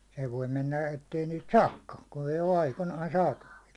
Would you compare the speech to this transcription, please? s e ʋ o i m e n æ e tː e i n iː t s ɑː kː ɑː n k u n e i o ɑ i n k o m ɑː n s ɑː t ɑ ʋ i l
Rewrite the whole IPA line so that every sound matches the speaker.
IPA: s e ʋ o i m e nː æ e tː e i n iː t s ɑː kː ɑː n k u n e i o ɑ i k o n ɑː n s ɑː t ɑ ʋ i l